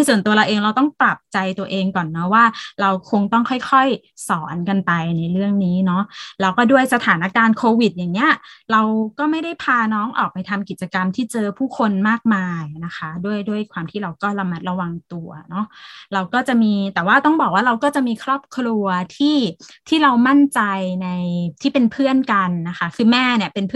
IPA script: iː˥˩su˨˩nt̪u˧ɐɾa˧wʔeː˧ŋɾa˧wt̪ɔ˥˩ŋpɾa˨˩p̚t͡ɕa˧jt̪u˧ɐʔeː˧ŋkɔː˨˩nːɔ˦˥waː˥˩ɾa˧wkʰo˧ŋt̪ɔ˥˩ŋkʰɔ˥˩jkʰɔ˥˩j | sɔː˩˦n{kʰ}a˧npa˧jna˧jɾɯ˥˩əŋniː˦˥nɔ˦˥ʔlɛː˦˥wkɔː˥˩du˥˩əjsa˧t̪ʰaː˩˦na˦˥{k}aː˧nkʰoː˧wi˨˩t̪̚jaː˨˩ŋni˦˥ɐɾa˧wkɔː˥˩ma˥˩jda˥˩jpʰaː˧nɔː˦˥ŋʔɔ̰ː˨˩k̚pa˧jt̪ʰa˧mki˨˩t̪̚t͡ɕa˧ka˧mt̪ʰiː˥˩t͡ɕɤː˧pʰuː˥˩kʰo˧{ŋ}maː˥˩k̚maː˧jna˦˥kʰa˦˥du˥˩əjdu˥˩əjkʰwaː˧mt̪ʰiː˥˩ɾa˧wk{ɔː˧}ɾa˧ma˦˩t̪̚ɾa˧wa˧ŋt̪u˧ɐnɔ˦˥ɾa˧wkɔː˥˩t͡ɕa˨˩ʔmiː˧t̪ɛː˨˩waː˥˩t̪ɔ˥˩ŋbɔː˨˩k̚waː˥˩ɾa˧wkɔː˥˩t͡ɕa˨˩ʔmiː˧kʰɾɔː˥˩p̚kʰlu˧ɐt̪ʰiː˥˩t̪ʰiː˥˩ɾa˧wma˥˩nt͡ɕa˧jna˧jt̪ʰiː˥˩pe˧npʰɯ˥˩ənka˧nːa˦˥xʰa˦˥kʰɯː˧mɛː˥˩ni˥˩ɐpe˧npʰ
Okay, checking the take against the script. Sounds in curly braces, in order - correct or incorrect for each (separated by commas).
incorrect, correct, incorrect, incorrect